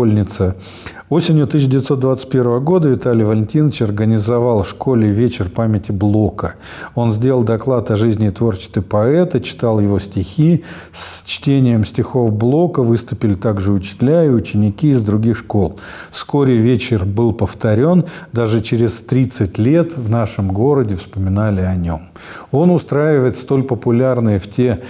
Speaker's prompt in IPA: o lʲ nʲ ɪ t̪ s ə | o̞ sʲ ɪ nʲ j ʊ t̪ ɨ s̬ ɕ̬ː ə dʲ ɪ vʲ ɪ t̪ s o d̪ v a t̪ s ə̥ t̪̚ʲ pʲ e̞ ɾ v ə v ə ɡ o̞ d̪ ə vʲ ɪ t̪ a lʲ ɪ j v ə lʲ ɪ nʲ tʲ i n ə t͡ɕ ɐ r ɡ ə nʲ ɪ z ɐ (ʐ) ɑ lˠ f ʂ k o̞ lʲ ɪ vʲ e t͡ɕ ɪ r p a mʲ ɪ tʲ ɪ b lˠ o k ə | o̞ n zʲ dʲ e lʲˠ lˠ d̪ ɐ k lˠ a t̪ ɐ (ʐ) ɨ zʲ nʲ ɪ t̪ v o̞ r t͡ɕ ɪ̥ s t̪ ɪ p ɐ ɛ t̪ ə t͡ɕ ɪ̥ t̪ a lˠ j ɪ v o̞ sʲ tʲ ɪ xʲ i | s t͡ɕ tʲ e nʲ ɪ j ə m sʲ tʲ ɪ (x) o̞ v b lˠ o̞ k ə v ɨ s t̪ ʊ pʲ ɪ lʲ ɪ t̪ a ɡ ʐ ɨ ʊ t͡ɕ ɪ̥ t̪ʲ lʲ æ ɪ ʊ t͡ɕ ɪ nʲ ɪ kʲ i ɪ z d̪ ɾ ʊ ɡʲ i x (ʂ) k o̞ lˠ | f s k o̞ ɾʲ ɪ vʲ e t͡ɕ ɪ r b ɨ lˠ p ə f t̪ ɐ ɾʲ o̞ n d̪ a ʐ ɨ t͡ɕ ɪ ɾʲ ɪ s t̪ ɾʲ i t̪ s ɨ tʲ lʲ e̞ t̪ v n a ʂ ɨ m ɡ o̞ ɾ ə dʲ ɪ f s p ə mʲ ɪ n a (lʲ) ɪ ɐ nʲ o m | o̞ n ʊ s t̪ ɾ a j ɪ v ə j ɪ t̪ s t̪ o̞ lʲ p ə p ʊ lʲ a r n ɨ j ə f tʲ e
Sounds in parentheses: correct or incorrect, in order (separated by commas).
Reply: incorrect, correct, correct, correct, correct